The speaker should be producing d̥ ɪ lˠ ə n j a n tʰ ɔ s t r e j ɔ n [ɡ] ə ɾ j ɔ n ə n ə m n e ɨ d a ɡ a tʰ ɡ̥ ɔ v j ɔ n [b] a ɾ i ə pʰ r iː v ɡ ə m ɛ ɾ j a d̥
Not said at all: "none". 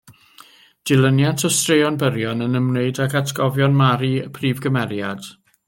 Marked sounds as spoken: b, m

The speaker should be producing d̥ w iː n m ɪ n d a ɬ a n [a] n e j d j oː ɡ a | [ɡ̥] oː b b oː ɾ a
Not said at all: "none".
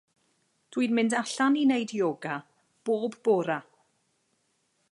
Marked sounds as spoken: i, b̥

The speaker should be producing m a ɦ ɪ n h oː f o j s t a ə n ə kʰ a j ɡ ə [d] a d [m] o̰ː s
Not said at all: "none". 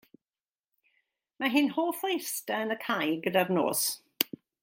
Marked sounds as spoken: d, n

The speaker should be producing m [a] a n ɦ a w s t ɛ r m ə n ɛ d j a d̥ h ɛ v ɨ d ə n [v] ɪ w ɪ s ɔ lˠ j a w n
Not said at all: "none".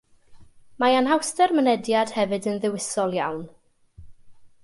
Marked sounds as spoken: a, ð

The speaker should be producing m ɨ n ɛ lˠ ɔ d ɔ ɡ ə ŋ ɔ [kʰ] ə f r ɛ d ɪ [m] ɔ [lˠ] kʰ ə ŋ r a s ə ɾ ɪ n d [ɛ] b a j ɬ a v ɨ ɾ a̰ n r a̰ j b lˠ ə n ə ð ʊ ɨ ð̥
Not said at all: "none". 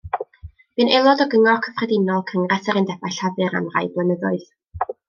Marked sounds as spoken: kʰ, n, lˠ, ɛ

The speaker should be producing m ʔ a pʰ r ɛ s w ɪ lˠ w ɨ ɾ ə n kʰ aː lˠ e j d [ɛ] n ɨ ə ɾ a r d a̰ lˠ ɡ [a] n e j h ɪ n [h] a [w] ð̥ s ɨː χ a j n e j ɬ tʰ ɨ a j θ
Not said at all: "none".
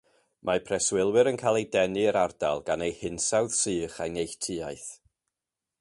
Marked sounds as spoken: ɛ, a, s, w

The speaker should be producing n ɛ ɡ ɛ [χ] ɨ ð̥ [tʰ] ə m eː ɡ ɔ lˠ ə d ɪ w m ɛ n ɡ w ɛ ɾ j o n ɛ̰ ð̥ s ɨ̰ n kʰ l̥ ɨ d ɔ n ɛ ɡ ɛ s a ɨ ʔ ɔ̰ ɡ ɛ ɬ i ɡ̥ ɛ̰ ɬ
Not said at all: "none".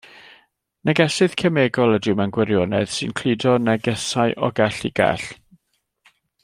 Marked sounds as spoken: s, kʰ

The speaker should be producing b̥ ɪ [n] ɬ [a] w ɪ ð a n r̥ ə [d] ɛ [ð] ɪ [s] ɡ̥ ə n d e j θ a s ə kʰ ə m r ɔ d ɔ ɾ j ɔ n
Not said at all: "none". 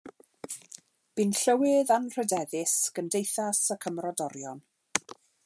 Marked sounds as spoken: n, ə, d, ð, s

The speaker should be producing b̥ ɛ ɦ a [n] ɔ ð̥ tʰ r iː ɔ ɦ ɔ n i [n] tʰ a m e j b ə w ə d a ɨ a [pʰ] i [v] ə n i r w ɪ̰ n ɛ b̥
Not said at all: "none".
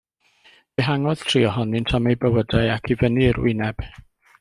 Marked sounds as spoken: ŋ, n, kʰ, v

